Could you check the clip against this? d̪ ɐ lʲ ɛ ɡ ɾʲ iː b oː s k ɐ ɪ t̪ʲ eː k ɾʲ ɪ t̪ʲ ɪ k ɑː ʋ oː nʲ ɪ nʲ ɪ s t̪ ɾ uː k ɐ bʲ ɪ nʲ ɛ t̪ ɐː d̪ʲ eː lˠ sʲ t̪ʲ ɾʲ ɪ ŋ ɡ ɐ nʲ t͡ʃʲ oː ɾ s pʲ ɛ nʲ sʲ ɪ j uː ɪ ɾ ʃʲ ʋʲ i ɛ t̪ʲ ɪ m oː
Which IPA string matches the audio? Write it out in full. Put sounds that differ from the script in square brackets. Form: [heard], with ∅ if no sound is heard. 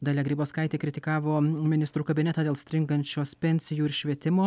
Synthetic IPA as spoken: d̪ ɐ lʲ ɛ ɡ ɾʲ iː b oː s k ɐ ɪ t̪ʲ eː k ɾʲ ɪ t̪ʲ ɪ k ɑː ʋ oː [mʲ] ɪ nʲ ɪ s t̪ ɾ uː k ɐ bʲ ɪ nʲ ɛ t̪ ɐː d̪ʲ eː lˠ sʲ t̪ʲ ɾʲ ɪ ŋ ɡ ɐ nʲ t͡ʃʲ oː [∅] s pʲ ɛ nʲ sʲ ɪ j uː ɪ ɾ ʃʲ ʋʲ i ɛ t̪ʲ ɪ m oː